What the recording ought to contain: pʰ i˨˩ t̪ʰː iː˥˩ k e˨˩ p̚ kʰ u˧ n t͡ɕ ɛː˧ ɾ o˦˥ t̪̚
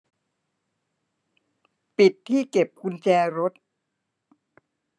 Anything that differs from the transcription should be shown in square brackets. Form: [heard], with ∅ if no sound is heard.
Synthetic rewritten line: [p] i˨˩ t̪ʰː iː˥˩ k e˨˩ p̚ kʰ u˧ n t͡ɕ ɛː˧ ɾ o˦˥ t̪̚